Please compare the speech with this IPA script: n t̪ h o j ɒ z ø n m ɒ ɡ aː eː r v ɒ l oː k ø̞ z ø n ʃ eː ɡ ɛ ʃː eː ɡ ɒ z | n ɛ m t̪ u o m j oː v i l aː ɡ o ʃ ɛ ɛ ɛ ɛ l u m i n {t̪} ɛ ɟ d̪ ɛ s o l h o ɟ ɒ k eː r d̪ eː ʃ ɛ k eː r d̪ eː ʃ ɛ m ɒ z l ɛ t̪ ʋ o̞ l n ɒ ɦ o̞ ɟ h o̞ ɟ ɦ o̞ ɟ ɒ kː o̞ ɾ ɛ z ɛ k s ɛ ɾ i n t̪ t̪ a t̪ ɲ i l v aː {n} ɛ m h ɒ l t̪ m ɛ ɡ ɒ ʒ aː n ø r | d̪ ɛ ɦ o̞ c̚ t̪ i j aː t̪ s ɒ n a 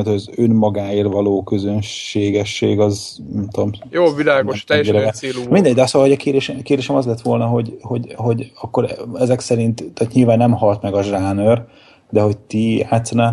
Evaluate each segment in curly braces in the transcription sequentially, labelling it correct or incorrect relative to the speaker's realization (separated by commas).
incorrect, incorrect